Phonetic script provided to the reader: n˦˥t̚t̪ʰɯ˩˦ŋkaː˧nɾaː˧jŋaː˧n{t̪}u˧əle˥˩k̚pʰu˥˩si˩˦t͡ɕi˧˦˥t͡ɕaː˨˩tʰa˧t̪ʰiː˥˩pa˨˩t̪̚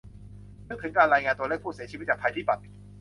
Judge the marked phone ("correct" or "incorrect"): correct